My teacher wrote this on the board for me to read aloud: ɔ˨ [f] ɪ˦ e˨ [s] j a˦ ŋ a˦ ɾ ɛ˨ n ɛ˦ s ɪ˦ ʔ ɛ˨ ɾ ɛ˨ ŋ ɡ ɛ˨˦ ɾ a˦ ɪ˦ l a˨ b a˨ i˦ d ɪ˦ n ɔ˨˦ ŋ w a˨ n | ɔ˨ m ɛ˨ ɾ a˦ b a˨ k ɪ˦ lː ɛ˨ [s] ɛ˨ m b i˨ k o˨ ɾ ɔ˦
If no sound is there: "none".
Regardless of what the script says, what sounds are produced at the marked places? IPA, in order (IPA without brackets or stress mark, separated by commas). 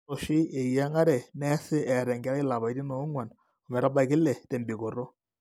ʃ, none, t